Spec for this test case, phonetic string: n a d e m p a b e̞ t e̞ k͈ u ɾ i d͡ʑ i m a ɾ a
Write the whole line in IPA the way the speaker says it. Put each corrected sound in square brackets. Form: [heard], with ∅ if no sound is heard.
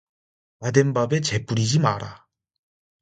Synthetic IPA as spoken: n a d e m [b] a b e̞ [t͡ɕ] e̞ [p͈] u ɾ i d͡ʑ i m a ɾ a